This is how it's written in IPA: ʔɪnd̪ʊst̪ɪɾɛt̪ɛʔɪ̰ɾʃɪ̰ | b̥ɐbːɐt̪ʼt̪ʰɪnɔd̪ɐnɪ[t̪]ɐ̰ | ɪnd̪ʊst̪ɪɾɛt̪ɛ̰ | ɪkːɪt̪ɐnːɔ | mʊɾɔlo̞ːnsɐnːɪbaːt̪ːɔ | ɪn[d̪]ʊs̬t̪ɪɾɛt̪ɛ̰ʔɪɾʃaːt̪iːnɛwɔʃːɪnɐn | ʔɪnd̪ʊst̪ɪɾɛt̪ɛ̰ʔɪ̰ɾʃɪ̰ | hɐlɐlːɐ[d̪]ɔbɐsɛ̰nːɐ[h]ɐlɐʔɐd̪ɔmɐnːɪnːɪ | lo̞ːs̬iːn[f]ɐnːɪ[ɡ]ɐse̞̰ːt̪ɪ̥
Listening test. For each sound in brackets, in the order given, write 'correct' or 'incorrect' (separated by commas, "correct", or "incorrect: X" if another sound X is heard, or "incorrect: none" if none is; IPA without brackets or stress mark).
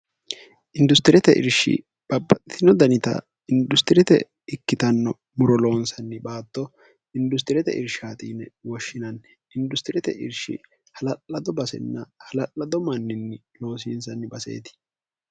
correct, correct, correct, correct, incorrect: s, incorrect: b